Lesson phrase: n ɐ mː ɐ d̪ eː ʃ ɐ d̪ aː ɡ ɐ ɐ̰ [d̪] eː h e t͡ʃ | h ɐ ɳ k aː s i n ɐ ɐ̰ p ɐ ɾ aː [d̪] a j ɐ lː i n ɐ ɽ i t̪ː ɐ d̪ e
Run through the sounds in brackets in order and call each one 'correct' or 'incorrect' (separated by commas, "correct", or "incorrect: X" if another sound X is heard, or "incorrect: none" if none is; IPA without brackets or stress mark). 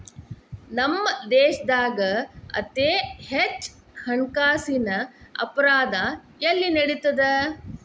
incorrect: t̪, correct